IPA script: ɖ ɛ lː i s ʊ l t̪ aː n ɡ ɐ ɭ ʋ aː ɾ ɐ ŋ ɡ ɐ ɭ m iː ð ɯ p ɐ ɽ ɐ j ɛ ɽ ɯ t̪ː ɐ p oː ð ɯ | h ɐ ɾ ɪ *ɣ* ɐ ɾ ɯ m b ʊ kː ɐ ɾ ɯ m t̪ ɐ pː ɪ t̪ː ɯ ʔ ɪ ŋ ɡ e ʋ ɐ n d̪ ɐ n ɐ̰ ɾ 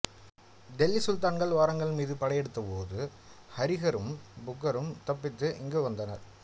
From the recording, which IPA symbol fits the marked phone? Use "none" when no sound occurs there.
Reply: ɣ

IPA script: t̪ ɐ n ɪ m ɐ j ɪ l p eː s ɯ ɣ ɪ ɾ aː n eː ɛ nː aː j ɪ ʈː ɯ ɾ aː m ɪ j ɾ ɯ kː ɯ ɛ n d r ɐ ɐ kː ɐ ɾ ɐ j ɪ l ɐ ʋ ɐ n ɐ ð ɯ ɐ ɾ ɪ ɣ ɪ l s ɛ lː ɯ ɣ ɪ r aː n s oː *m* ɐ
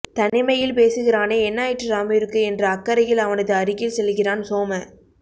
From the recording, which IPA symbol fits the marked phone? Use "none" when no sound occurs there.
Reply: m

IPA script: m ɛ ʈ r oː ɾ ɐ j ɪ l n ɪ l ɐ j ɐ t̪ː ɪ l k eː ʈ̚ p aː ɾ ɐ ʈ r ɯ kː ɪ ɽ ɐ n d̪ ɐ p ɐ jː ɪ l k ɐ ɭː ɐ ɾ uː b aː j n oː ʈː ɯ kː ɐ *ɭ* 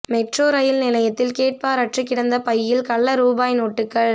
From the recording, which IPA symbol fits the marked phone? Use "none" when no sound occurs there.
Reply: ɭ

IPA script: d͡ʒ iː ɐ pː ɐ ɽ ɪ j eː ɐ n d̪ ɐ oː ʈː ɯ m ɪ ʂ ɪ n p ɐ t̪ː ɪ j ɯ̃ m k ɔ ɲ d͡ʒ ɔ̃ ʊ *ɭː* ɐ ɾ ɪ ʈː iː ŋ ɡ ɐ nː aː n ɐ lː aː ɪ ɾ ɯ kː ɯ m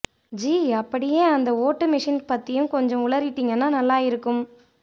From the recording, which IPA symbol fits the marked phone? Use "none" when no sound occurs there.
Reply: ɭ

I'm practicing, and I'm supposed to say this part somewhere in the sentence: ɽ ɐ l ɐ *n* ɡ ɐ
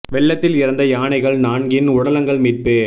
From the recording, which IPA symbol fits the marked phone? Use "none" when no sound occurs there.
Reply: ŋ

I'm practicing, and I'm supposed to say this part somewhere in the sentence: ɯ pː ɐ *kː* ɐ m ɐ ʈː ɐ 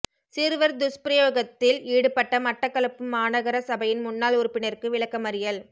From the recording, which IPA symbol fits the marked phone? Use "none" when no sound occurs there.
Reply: ʈː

